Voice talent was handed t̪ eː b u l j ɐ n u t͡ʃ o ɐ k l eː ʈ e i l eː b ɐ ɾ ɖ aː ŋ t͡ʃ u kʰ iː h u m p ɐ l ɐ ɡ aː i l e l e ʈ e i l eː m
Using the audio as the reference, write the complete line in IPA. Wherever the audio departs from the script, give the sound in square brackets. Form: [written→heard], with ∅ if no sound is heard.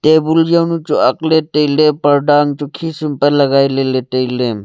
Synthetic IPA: t̪ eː b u l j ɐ n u t͡ʃ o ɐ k l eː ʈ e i l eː [b→p] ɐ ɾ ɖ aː ŋ t͡ʃ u kʰ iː [h→s] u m p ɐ l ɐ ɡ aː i l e l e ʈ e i l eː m

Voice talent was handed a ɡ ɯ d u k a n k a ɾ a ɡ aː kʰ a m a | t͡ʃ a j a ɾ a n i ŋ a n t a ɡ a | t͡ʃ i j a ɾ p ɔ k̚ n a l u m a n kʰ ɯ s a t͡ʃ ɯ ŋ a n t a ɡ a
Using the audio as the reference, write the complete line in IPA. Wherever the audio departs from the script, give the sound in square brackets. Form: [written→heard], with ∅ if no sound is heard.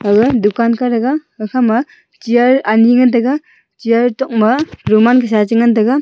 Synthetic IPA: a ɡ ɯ d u k a n k a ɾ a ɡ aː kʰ a m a | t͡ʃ [a→i] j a ɾ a n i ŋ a n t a ɡ a | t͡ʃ i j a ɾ [p→t] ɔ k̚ [n→m] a [l→ɾ] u m a n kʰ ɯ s a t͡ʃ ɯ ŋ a n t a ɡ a

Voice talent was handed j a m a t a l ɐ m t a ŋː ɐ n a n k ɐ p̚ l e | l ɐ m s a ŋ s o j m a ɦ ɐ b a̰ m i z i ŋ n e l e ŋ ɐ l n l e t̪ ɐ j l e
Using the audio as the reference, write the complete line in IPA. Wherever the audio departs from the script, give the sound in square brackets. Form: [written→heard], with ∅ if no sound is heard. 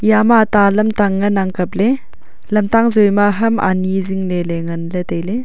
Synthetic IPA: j a m a t a l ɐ m t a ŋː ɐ n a [n→ŋ] k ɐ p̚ l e | l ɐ m [s→t] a ŋ [s→z] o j m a ɦ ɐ [b→m] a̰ [m→n] i z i ŋ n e l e ŋ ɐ [l→∅] n l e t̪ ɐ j l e

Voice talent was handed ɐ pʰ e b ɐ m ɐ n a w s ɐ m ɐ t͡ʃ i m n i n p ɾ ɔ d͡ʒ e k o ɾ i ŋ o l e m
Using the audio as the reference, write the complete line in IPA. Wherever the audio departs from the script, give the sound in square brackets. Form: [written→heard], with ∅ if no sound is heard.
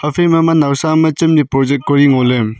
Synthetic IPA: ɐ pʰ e [b→m] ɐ m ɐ n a w s [ɐ→a] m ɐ t͡ʃ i m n i [n→∅] p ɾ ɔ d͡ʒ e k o ɾ i ŋ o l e m

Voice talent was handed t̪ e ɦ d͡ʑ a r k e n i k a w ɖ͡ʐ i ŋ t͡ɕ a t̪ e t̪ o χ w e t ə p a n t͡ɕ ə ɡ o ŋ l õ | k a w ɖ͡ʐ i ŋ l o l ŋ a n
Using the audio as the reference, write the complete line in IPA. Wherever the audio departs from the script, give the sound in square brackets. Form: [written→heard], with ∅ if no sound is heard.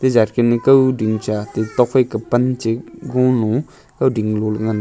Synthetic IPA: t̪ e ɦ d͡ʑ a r k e n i k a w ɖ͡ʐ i ŋ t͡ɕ a t̪ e t̪ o χ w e [t→k] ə p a n t͡ɕ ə ɡ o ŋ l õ | k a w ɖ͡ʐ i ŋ l o l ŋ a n

